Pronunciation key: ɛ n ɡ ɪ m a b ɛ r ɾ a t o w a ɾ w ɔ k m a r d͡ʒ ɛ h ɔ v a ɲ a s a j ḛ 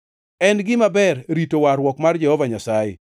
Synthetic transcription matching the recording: ɛ n ɡ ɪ m a b ɛ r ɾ i t o w a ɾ w ɔ k m a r d͡ʒ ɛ h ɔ v a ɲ a s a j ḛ